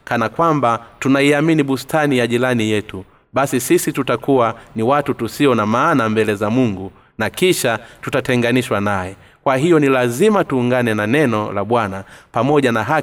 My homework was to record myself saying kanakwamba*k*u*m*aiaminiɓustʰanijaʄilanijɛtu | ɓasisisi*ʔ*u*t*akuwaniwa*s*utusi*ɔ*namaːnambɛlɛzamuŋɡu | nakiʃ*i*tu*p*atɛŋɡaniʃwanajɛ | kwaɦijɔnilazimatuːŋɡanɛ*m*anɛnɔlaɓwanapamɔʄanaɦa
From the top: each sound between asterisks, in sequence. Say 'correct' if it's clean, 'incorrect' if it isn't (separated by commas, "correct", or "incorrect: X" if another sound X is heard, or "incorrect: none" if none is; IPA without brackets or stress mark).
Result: incorrect: t, incorrect: n, incorrect: t, correct, incorrect: t, correct, incorrect: a, incorrect: t, incorrect: n